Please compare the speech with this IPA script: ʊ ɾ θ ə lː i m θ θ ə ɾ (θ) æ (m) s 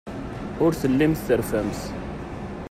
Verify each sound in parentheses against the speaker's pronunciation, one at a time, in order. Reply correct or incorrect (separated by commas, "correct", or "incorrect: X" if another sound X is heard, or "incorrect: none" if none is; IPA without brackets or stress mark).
incorrect: f, correct